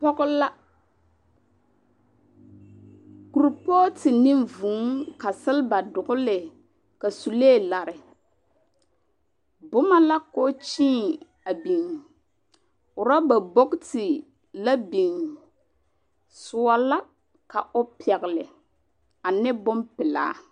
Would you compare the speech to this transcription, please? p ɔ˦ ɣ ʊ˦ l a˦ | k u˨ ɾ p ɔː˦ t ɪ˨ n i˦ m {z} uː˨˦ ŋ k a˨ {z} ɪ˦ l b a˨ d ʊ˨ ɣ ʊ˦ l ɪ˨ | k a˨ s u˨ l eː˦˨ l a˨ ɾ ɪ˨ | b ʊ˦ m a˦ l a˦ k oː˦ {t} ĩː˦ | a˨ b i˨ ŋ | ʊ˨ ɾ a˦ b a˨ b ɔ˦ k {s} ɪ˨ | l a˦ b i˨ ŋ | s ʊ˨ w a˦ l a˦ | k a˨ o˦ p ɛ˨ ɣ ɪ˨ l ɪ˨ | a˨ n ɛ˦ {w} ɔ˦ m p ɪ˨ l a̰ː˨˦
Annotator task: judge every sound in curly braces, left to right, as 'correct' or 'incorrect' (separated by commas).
incorrect, incorrect, incorrect, incorrect, incorrect